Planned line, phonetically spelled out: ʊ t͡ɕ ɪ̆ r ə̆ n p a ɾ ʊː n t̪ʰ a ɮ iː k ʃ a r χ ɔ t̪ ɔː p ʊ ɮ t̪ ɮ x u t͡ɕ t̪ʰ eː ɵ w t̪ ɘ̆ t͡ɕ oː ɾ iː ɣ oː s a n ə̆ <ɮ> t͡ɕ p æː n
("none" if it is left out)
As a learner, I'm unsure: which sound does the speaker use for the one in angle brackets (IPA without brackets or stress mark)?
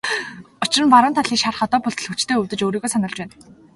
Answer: ɮ